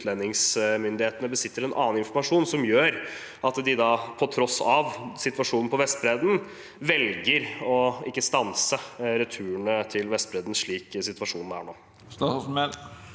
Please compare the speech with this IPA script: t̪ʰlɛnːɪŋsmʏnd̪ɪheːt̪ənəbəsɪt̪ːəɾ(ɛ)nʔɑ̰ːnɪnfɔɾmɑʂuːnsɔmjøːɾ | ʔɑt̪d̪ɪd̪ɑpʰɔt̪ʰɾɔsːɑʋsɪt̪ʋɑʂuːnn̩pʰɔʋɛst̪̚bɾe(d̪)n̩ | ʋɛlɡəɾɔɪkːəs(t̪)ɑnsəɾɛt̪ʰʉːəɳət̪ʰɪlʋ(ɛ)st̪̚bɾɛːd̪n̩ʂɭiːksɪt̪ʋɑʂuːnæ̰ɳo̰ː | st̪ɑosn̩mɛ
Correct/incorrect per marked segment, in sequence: correct, correct, correct, correct

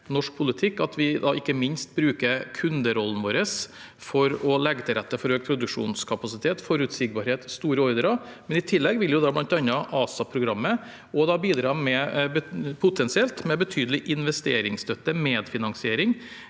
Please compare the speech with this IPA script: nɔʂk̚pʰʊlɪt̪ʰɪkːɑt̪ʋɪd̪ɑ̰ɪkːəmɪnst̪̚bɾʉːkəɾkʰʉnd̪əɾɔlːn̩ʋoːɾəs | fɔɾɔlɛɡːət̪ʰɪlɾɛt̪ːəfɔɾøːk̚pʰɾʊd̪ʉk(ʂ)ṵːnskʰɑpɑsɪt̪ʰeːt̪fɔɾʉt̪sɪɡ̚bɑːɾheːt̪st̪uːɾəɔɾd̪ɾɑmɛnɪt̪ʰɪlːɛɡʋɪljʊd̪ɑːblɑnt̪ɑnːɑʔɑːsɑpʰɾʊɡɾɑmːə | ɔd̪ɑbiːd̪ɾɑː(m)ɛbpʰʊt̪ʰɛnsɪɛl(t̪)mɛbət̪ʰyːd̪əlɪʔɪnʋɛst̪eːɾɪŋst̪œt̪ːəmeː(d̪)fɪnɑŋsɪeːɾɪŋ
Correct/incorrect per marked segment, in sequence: correct, correct, correct, correct

